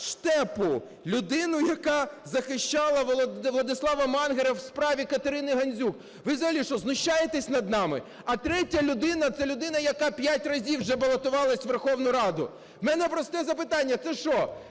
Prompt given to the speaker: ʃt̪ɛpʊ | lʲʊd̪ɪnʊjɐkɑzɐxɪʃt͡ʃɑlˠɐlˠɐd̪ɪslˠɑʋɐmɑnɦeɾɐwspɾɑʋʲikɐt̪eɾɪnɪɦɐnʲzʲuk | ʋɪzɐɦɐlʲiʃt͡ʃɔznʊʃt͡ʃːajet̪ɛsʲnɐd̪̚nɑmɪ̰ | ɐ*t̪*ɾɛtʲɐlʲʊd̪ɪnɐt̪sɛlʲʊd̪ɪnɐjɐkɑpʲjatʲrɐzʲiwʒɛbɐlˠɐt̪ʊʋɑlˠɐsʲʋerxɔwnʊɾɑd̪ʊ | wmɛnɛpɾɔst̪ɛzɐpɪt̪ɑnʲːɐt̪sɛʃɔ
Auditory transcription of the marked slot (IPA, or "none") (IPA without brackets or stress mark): t̪